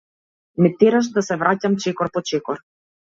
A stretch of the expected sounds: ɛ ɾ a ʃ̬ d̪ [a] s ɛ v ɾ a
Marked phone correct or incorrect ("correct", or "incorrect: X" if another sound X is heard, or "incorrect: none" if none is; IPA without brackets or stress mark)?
correct